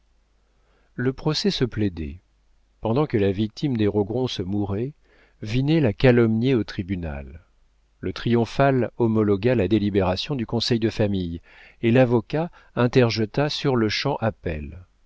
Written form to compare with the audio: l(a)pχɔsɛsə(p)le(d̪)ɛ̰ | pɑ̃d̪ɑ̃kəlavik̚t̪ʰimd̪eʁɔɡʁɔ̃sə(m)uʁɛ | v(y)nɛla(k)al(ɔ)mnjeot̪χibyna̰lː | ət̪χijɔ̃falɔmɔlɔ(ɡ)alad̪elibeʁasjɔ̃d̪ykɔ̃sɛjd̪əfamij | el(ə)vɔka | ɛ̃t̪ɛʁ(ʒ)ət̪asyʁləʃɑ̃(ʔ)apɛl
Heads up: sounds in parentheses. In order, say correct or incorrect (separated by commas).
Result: incorrect, correct, correct, correct, incorrect, correct, correct, correct, incorrect, correct, correct